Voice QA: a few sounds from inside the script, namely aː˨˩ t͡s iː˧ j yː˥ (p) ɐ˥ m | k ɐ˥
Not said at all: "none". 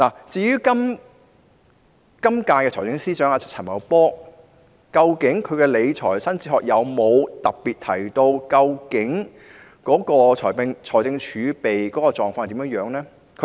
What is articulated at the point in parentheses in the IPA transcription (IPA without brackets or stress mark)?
k